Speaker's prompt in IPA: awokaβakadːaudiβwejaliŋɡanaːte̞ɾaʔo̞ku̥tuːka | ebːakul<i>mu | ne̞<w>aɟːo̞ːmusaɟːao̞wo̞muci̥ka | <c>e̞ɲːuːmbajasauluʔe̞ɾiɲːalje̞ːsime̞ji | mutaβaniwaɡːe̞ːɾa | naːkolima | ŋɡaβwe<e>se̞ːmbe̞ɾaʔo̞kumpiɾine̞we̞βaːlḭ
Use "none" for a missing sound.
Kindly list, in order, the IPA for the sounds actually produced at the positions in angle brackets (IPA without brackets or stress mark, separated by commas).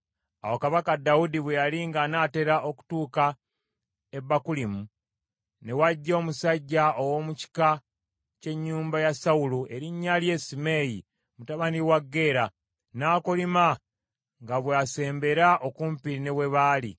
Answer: i, w, c, a